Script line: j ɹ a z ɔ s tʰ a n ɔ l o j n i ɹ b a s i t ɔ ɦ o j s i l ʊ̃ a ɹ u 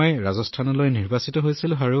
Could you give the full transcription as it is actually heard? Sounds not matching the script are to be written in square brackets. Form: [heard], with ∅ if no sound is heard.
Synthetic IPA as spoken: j ɹ a z ɔ s tʰ a n ɔ l o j n i ɹ b a s i t ɔ ɦ o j s i l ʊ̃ a ɹ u